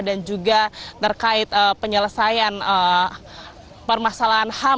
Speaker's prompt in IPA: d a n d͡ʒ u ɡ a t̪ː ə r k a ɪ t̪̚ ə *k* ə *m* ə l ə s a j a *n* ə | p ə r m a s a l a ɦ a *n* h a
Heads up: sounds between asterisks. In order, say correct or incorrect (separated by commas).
incorrect, incorrect, correct, correct